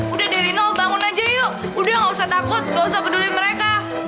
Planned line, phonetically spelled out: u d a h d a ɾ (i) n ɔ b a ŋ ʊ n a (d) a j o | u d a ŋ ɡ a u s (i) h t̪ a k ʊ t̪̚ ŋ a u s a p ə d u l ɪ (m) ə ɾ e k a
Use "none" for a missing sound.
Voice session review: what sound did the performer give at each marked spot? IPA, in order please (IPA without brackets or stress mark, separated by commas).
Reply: i, d͡ʒ, a, m